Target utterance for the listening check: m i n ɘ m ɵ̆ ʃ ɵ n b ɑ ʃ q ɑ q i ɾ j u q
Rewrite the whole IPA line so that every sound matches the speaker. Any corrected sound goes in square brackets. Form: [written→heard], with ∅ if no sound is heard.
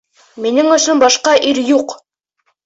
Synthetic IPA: m i n ɘ [m→ŋ] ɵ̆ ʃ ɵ n b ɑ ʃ q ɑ [q→ʔ] i ɾ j u q

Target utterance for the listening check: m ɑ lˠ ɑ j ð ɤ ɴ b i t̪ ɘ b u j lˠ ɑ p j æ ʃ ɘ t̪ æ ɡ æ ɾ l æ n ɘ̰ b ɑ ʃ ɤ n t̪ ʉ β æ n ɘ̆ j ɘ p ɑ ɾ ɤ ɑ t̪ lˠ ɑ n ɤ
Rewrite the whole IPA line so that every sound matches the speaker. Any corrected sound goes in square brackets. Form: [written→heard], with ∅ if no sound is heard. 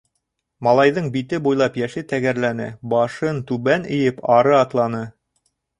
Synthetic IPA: m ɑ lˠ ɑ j ð ɤ ɴ b i t̪ ɘ b u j lˠ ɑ p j æ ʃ ɘ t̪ æ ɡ æ ɾ l æ n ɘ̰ b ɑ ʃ ɤ n t̪ ʉ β æ n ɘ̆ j ɘ p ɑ ɾ ɤ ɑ t̪ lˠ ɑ n ɤ

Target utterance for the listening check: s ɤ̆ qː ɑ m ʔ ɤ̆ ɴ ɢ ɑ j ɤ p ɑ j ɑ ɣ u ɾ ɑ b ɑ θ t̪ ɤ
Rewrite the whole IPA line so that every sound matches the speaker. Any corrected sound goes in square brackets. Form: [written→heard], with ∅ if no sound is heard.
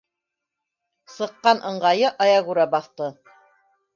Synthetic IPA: s ɤ̆ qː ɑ [m→n] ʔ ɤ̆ ɴ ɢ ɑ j ɤ [p→ʔ] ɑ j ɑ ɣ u ɾ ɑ b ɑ θ t̪ ɤ

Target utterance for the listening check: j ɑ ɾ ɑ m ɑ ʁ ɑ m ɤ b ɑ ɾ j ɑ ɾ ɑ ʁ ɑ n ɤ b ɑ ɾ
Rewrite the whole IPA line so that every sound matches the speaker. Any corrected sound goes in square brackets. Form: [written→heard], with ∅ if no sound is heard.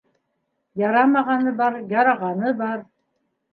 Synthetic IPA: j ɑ ɾ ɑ m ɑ ʁ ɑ [m→n] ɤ b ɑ ɾ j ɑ ɾ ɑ ʁ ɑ n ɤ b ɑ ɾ

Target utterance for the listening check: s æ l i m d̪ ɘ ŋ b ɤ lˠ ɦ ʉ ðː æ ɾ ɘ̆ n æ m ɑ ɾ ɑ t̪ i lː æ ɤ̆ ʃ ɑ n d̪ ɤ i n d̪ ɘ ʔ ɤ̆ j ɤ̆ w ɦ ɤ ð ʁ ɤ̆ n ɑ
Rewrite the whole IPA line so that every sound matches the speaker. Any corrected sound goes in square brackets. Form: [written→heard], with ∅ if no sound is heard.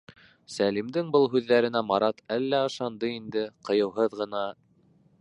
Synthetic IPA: s æ l i m d̪ ɘ ŋ b ɤ lˠ ɦ ʉ ðː æ ɾ ɘ̆ n æ m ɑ ɾ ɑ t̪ [i→æ] lː æ ɤ̆ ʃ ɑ n d̪ ɤ i n d̪ ɘ [ʔ→q] ɤ̆ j ɤ̆ w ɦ ɤ ð ʁ ɤ̆ n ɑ

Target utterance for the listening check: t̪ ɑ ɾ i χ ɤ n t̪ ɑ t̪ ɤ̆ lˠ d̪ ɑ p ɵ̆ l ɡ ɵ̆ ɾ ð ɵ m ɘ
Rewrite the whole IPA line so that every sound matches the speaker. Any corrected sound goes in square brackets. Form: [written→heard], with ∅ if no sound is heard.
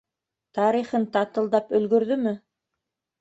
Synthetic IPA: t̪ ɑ ɾ i χ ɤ n t̪ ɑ t̪ ɤ̆ lˠ d̪ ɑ p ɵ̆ l ɡ ɵ̆ ɾ ð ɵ m ɘ

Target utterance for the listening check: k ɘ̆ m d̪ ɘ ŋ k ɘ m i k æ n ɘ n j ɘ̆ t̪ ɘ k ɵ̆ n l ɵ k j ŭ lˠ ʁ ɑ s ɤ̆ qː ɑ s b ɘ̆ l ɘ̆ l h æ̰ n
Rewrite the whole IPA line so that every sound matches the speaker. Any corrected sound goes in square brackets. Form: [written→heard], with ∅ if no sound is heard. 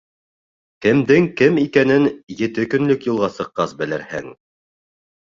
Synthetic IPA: k ɘ̆ m d̪ ɘ ŋ k ɘ m i k æ n ɘ n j ɘ̆ t̪ ɘ k ɵ̆ n l ɵ k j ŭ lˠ ʁ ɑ s ɤ̆ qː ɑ s b ɘ̆ l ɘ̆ [l→ɾ] h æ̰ [n→ŋ]

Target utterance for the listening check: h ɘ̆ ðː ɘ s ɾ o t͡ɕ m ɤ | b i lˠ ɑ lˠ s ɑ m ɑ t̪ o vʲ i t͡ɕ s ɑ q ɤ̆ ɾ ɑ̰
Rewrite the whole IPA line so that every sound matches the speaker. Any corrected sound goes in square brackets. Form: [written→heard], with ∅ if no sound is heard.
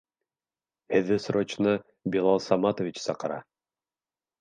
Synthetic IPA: h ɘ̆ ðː ɘ s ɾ o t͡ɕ [m→n] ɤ | b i lˠ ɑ lˠ s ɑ m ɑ t̪ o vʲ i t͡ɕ s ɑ q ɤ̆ ɾ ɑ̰

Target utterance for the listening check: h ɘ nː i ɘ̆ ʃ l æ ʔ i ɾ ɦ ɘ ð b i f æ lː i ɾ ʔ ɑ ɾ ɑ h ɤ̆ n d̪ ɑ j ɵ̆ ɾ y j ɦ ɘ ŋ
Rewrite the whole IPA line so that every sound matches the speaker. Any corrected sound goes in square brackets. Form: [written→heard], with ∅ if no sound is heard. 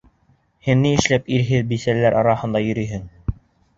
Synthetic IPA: h ɘ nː i ɘ̆ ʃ l æ [ʔ→p] i ɾ ɦ ɘ ð b i [f→s] æ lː [i→æ] ɾ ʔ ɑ ɾ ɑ h ɤ̆ n d̪ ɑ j ɵ̆ ɾ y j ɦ ɘ ŋ

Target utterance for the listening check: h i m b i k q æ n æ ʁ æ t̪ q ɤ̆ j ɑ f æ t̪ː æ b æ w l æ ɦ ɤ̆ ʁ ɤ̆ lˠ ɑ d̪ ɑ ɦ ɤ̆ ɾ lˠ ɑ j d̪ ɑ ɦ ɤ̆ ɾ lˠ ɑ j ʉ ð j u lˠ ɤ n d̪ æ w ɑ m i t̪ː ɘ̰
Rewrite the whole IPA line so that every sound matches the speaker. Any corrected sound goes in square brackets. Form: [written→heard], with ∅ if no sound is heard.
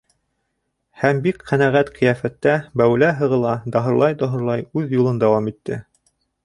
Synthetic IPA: h [i→æ] m b i k q æ n æ ʁ æ t̪ q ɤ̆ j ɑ f æ t̪ː æ b æ w l æ ɦ ɤ̆ ʁ ɤ̆ lˠ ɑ d̪ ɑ ɦ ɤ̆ ɾ lˠ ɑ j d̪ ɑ ɦ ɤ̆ ɾ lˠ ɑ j ʉ ð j u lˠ ɤ n d̪ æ w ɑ m i t̪ː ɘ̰

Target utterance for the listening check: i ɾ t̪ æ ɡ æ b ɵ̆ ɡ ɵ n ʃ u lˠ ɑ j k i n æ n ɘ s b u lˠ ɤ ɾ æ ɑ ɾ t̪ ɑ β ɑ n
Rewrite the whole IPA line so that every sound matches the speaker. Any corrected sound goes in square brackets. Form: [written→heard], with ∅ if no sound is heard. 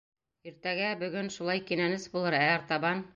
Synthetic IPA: i ɾ t̪ æ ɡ æ b ɵ̆ ɡ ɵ n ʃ u lˠ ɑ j k i n æ n ɘ s b u lˠ ɤ ɾ æ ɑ ɾ t̪ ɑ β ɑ n

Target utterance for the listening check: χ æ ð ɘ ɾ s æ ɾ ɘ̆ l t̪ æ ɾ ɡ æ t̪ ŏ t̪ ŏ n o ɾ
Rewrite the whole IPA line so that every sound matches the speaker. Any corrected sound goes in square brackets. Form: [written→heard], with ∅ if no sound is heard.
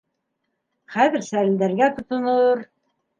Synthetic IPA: χ æ ð ɘ ɾ s æ ɾ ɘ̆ l [t̪→d̪] æ ɾ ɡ æ t̪ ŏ t̪ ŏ n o ɾ

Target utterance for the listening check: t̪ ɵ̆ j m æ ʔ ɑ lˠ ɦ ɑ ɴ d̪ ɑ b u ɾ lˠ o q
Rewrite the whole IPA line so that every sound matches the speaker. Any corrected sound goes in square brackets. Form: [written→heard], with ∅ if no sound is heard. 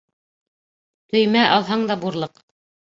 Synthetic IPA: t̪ ɵ̆ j m æ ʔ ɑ lˠ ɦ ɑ ɴ d̪ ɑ b u ɾ lˠ [o→ɤ] q

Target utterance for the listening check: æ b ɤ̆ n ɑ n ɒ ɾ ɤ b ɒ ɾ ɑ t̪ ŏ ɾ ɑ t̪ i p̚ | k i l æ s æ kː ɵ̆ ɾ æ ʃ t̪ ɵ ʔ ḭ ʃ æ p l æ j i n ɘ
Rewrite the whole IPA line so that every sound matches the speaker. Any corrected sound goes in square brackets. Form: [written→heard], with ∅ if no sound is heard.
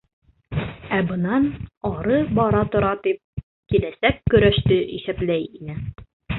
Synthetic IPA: æ b ɤ̆ n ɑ n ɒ ɾ ɤ b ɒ ɾ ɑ t̪ ŏ ɾ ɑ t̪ i p̚ | k i l æ s æ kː ɵ̆ ɾ æ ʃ t̪ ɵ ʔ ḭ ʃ æ p l æ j i n ɘ

